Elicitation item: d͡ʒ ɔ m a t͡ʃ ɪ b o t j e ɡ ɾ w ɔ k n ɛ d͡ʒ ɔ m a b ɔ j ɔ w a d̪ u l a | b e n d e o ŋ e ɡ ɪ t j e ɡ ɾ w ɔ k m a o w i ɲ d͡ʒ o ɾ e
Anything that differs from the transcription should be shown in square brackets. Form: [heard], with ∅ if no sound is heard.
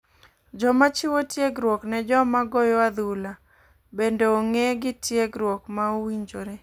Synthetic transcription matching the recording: d͡ʒ ɔ m a t͡ʃ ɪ [w] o t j e ɡ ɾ w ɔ k n ɛ d͡ʒ ɔ m a [ɡ] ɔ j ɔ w a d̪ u l a | b e n d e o ŋ e ɡ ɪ t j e ɡ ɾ w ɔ k m a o w i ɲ d͡ʒ o ɾ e